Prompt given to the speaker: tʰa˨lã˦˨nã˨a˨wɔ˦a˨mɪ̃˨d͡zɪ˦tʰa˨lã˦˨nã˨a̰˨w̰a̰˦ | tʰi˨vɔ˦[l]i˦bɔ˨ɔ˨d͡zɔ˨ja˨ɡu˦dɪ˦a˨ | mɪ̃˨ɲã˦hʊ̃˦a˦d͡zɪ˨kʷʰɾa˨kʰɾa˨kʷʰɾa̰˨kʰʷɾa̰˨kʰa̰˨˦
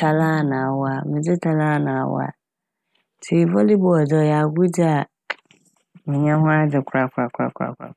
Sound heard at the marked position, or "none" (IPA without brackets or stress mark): l